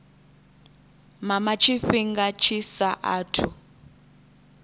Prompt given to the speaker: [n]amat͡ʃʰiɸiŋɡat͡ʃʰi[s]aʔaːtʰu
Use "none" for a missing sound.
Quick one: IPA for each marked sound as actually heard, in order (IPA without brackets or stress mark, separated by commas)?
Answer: m, s